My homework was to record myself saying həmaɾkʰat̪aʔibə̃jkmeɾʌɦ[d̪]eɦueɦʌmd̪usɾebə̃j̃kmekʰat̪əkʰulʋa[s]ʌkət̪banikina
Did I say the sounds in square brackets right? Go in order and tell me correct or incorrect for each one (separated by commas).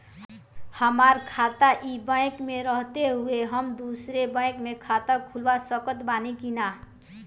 incorrect, correct